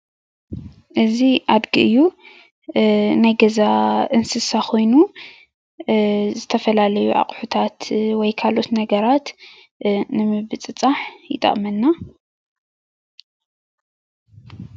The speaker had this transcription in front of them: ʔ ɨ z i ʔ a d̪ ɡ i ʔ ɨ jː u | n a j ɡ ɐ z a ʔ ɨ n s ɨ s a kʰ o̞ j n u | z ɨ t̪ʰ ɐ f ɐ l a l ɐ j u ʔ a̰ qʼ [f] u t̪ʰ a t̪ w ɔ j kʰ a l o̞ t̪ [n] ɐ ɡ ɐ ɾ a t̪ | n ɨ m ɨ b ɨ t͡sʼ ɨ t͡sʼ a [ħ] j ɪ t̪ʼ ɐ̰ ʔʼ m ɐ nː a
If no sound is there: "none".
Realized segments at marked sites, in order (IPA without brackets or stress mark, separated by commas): ħ, n, ħ